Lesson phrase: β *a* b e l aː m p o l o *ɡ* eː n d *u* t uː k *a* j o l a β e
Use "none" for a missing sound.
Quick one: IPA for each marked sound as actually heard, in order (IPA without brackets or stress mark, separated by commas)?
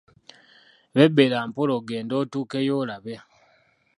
e, ɡ, o, e